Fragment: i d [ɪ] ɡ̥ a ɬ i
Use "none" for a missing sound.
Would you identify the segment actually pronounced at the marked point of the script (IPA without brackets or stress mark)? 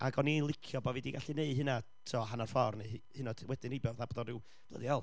i